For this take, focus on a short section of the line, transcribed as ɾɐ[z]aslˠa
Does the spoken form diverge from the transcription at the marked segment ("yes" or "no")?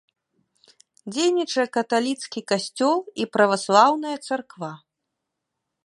yes